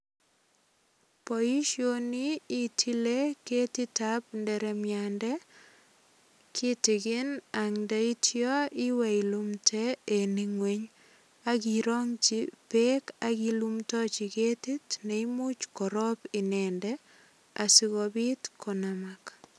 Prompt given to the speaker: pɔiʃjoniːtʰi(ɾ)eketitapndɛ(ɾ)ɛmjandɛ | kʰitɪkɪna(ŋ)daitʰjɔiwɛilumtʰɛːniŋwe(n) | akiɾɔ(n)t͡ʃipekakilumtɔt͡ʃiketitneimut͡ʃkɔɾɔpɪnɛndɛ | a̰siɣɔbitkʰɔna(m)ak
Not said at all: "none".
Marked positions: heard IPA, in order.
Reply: l, ɾ, ŋ, ɲ, ŋ, m

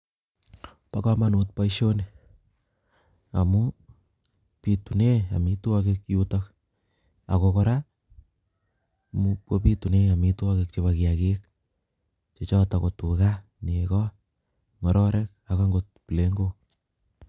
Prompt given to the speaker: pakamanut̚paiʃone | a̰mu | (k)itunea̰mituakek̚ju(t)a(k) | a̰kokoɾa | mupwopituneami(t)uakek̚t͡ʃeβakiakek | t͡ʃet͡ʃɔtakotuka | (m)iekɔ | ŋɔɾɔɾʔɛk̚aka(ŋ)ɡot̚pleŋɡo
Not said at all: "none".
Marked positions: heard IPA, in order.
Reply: p, t, k, t, n, ŋ

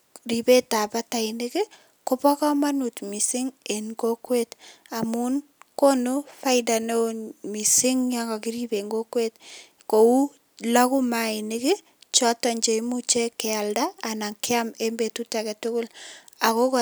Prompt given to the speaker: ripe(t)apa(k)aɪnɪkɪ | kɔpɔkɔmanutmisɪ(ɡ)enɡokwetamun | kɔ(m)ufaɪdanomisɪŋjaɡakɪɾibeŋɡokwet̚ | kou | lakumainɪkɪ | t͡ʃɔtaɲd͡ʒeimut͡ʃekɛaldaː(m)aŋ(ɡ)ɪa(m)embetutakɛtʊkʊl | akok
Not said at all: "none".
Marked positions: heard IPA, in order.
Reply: t, t, ŋ, n, n, k, m

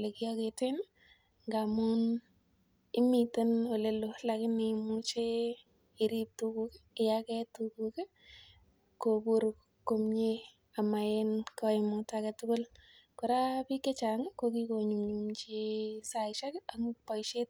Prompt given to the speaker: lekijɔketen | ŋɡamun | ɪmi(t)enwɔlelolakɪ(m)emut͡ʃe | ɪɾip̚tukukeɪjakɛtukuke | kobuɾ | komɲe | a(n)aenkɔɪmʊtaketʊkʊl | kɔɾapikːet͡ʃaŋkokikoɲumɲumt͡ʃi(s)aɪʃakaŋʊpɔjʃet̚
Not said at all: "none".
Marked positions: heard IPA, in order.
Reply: t, n, m, s

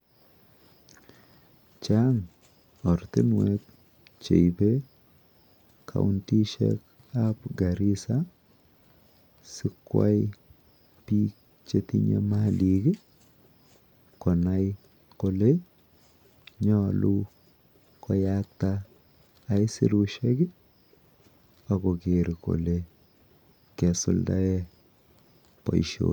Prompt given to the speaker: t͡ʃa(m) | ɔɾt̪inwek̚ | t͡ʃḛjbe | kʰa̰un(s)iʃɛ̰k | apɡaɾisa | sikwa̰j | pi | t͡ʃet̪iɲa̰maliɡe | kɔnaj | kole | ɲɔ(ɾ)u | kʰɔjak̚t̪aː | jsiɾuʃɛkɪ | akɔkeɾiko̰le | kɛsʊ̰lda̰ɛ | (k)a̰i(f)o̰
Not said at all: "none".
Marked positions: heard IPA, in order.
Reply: ŋ, t, l, p, ʃ

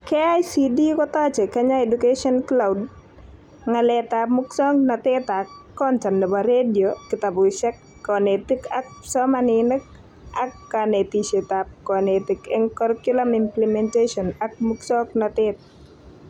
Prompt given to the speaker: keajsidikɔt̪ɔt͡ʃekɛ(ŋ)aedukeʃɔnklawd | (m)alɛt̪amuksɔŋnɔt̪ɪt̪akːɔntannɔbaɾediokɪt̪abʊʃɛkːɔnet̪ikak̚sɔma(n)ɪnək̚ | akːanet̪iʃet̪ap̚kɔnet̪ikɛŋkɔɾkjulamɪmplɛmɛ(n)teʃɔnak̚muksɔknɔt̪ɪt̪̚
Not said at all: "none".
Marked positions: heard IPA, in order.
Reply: ɲ, ŋ, n, n

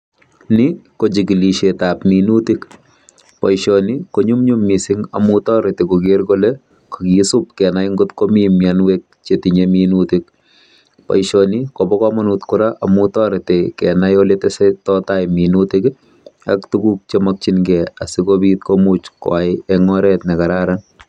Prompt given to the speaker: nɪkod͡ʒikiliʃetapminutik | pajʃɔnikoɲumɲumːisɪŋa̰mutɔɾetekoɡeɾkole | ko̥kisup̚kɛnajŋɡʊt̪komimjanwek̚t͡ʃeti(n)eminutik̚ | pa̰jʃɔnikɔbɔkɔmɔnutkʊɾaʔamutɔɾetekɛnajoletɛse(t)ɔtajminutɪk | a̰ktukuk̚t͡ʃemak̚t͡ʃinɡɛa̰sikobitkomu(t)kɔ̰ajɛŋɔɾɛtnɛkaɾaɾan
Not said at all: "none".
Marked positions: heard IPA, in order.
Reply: ɲ, t, t͡ʃ

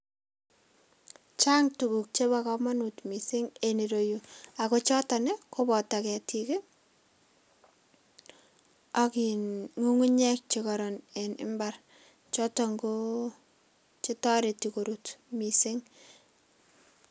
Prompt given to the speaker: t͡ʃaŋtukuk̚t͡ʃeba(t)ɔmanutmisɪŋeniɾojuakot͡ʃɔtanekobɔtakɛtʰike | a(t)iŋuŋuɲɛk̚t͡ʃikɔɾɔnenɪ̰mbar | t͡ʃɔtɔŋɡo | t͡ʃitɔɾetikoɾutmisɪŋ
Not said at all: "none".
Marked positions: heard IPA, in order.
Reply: k, k

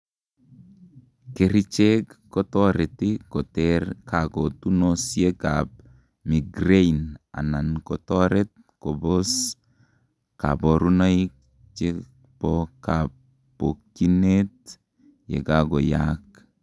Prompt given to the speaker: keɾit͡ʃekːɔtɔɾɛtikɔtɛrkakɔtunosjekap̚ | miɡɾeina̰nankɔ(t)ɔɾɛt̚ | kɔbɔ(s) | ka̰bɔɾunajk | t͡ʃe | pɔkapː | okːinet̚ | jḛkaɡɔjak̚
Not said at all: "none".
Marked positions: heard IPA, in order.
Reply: t, s

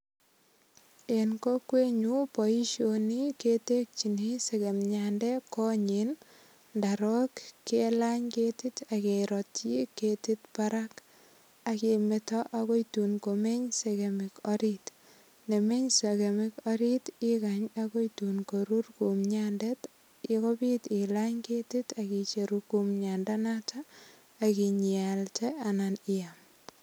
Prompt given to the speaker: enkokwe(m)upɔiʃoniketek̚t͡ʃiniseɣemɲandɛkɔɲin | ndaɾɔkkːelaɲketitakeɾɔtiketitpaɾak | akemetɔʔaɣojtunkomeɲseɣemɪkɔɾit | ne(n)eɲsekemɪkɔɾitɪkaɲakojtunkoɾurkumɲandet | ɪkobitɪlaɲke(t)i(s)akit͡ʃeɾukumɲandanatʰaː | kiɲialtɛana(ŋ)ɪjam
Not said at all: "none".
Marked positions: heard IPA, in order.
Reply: ɲ, m, t, t, n

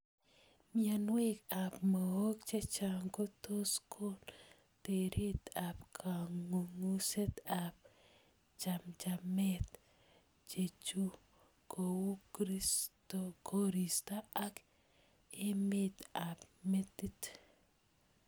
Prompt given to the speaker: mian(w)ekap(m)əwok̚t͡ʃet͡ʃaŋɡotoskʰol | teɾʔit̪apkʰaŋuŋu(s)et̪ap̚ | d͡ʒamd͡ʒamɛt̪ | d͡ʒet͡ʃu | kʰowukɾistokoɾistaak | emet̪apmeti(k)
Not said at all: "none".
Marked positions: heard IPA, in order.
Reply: w, m, s, t

